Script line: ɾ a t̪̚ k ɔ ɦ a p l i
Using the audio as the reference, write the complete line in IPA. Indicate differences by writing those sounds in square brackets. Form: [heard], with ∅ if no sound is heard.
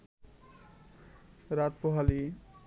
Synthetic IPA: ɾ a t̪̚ [p] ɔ ɦ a [∅] l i